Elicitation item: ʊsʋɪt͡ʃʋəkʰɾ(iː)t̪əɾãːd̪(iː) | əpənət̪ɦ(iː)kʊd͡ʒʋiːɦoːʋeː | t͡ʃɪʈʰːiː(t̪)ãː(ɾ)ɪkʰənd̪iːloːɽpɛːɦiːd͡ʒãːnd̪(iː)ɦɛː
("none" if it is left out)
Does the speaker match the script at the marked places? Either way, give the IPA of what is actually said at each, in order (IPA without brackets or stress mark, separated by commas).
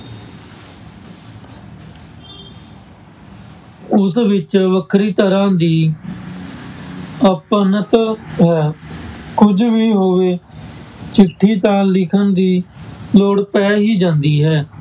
iː, iː, ɛː, t̪, l, iː